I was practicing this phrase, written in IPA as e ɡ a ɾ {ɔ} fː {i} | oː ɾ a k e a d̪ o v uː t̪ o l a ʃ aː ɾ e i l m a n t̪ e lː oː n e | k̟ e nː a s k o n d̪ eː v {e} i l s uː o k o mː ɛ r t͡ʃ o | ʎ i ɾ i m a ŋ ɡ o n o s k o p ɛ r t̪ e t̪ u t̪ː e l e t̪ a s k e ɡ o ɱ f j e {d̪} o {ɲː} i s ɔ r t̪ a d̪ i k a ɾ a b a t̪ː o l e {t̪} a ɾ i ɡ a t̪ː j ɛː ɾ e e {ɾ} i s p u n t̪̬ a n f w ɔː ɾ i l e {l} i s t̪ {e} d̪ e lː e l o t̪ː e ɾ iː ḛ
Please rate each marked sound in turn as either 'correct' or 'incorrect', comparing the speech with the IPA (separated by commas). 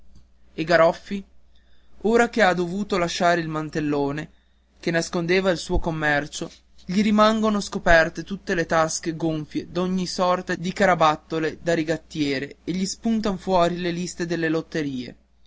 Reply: correct, correct, incorrect, correct, correct, incorrect, incorrect, correct, correct